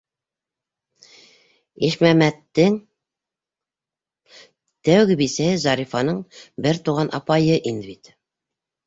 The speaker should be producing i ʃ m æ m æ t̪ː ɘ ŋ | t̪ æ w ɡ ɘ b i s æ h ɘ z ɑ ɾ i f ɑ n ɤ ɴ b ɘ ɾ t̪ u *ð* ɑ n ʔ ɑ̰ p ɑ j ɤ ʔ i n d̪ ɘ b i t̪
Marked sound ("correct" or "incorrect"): incorrect